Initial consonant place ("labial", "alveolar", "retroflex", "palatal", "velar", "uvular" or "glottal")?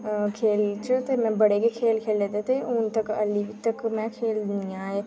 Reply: velar